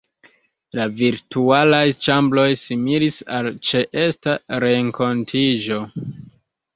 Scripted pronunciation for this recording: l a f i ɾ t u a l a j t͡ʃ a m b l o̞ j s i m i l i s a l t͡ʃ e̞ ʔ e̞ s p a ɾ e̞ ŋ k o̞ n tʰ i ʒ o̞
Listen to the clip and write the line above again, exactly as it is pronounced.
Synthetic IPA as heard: l a v i ɾ t u a l a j t͡ʃ a m b l o̞ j s i m i l i s a l t͡ʃ e̞ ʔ e̞ s t a ɾ e̞ ŋ k o̞ n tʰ i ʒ o̞

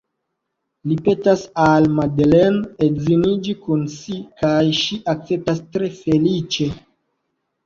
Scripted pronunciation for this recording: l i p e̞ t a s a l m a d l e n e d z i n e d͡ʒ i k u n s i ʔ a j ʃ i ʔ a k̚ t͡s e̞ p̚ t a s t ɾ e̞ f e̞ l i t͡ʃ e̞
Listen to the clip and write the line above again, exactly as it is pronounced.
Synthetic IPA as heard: l i p e̞ t a s a l m a d l e n e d z i n i d͡ʒ i k u n s i k a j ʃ i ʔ a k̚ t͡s e̞ p̚ t a s t ɾ e̞ f e̞ l i t͡ʃ e̞

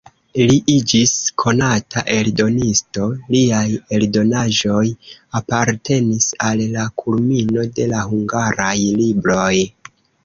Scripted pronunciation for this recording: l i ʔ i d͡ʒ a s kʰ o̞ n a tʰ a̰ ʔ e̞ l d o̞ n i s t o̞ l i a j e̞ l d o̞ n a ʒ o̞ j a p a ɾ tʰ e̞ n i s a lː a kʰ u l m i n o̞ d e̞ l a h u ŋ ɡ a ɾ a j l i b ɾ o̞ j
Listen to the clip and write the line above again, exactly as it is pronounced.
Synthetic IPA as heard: l i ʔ i d͡ʒ i s kʰ o̞ n a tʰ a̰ ʔ e̞ l d o̞ n i s t o̞ l i a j e̞ l d o̞ n a ʒ o̞ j a p a ɾ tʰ e̞ n i s a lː a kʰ u l m i n o̞ d e̞ l a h u ŋ ɡ a ɾ a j l i b ɾ o̞ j

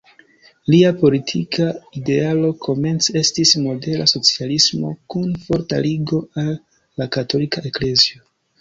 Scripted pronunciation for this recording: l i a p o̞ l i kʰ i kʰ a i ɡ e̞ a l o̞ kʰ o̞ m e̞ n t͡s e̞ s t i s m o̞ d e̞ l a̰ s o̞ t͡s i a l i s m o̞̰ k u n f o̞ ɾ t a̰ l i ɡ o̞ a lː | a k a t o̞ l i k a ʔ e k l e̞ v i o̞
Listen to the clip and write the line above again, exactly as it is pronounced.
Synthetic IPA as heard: l i a p o̞ l i tʰ i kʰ a i d e̞ a l o̞ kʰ o̞ m e̞ n t͡s e̞ s t i s m o̞ d e̞ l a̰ s o̞ t͡s i a l i s m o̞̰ k u n f o̞ ɾ t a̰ l i ɡ o̞ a lː | a k a t o̞ l i k a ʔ e k l e̞ z i o̞

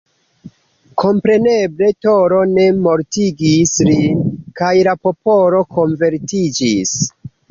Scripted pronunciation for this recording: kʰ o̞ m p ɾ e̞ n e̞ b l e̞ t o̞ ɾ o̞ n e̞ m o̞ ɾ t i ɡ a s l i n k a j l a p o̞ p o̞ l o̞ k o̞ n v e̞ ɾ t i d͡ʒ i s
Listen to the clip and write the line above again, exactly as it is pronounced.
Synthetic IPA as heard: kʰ o̞ m p ɾ e̞ n e̞ b l e̞ t o̞ ɾ o̞ n e̞ m o̞ ɾ t i ɡ i s l i n k a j l a p o̞ p o̞ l o̞ k o̞ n v e̞ ɾ t i d͡ʒ i s

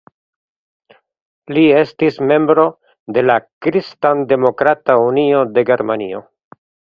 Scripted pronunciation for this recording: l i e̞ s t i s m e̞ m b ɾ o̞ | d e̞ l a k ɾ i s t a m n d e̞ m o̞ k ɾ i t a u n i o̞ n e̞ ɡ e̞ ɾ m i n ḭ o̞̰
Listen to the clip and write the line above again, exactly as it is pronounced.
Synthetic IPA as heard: l i e̞ s t i s m e̞ m b ɾ o̞ | d e̞ l a k ɾ i s t a n d e̞ m o̞ k ɾ a t a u n i o̞ d e̞ ɡ e̞ ɾ m a n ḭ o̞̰

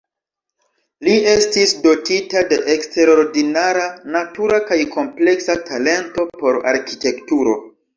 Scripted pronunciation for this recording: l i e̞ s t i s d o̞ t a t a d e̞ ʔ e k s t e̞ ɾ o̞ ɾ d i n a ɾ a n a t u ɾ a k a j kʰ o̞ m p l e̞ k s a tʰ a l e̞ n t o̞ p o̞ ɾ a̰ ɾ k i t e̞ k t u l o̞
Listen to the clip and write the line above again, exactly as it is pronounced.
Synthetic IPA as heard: l i e̞ s t i s d o̞ t i t a d e̞ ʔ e k s t e̞ ɾ o̞ ɾ d i n a ɾ a n a t u ɾ a k a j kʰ o̞ m p l e̞ k s a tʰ a l e̞ n t o̞ p o̞ ɾ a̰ ɾ k i t e̞ k t u ɾ o̞

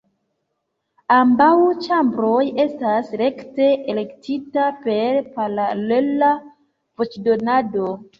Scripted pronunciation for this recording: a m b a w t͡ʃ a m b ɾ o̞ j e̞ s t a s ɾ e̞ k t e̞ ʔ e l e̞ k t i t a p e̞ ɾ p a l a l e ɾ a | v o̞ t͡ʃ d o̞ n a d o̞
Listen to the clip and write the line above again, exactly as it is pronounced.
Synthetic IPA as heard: a m b a w t͡ʃ a m b ɾ o̞ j e̞ s t a s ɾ e̞ k t e̞ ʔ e l e̞ k t i t a p e̞ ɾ p a l a l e l a | v o̞ t͡ʃ d o̞ n a d o̞

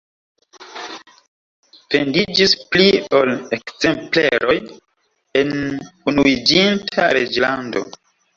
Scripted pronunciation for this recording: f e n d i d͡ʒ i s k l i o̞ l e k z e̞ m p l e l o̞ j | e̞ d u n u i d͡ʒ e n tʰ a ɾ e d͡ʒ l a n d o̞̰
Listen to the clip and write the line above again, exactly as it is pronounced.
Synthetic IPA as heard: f e n d i d͡ʒ i s p l i o̞ l e k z e̞ m p l e ɾ o̞ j | e̞ n u n u i d͡ʒ i n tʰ a ɾ e d͡ʒ l a n d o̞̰

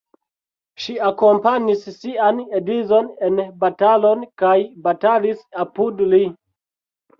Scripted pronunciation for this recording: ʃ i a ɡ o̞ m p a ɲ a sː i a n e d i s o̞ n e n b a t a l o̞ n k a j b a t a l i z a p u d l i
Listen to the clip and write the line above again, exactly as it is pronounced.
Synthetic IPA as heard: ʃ i a k o̞ m p a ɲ i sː i a n e d i z o̞ n e n b a t a l o̞ n k a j b a t a l i s a p u d l i

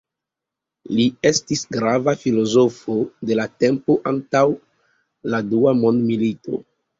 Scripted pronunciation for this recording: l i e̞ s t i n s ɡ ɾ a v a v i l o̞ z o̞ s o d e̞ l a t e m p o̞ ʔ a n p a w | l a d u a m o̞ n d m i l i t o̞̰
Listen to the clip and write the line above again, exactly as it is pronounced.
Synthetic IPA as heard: l i e̞ s t i s ɡ ɾ a v a f i l o̞ z o̞ f o d e̞ l a t e m p o̞ ʔ a n t a w | l a d u a m o̞ n d m i l i t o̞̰

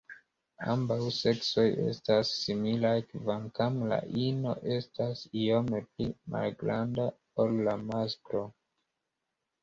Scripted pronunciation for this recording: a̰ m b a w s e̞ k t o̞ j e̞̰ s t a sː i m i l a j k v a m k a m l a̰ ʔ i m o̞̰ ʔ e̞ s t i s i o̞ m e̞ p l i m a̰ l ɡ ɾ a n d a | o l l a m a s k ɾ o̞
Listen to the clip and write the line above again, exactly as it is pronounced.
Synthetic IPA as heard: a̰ m b a w s e̞ k s o̞ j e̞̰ s t a sː i m i l a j k v a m k a m l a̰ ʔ i n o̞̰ ʔ e̞ s t a s i o̞ m e̞ p l i m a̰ l ɡ ɾ a n d a | o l l a m a s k ɾ o̞

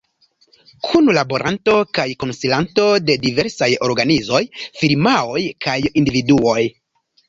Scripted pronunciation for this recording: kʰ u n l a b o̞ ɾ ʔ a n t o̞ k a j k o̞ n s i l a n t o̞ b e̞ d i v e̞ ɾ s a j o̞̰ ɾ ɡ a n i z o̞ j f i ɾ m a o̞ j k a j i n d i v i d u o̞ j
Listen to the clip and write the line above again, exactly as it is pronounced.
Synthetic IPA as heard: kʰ u n l a b o̞ ɾ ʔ a n t o̞ k a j k o̞ n s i l a n t o̞ d e̞ d i v e̞ ɾ s a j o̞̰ ɾ ɡ a n i z o̞ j f i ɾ m a o̞ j k a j i n d i v i d u o̞ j

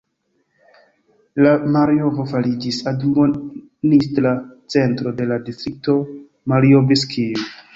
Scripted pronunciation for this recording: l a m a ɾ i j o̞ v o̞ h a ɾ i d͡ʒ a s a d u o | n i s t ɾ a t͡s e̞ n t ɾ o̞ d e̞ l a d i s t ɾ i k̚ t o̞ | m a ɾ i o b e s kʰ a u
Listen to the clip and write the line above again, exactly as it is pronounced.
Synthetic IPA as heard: l a m a ɾ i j o̞ v o̞ f a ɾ i d͡ʒ i s a d u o | n i s t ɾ a t͡s e̞ n t ɾ o̞ d e̞ l a d i s t ɾ i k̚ t o̞ | m a ɾ i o b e s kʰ i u

